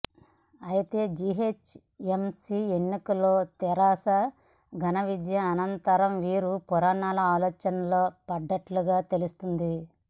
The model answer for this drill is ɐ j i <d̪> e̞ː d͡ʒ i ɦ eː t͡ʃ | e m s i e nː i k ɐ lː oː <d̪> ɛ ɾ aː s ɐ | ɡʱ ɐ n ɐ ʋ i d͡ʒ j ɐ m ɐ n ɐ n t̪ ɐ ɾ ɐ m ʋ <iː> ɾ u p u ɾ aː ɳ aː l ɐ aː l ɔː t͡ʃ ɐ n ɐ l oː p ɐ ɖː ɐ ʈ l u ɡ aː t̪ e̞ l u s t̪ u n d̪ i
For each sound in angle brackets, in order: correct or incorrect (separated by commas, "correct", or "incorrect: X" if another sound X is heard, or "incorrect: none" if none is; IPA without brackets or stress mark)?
incorrect: t̪, incorrect: t̪, correct